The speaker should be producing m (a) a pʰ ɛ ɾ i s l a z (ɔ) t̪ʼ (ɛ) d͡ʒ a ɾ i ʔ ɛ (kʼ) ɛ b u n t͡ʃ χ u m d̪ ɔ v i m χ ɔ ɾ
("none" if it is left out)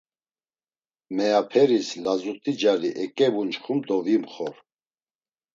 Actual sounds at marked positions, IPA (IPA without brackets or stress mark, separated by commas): ɛ, u, i, kʼ